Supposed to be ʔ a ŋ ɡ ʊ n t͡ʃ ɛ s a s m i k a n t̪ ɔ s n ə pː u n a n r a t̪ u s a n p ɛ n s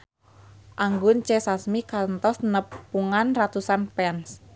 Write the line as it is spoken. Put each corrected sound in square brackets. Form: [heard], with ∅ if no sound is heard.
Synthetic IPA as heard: ʔ a ŋ ɡ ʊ n t͡ʃ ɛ s a s m i k a n t̪ ɔ s n ə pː u [ŋ] a n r a t̪ u s a n p ɛ n s